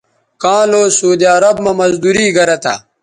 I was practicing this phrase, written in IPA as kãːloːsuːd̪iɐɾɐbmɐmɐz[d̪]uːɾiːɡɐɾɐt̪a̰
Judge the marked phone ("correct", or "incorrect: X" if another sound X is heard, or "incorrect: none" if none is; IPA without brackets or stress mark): correct